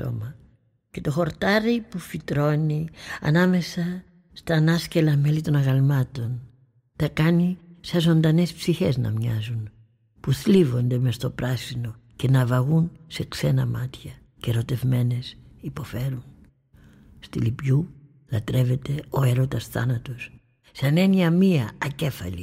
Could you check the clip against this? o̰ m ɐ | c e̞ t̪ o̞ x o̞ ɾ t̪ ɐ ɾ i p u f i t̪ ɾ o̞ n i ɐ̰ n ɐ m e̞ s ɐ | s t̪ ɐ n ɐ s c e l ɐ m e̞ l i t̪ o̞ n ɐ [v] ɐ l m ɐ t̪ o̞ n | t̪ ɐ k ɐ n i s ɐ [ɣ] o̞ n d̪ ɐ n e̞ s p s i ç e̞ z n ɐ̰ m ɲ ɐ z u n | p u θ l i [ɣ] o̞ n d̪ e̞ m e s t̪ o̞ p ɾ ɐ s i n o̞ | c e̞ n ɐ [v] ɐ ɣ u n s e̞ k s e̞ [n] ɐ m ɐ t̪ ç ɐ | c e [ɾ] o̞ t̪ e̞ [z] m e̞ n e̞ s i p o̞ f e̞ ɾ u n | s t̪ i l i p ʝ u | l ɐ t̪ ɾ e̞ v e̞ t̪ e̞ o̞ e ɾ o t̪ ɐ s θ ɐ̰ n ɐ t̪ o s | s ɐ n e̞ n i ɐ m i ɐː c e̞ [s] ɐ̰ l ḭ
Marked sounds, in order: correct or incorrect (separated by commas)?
incorrect, incorrect, incorrect, correct, correct, correct, incorrect, incorrect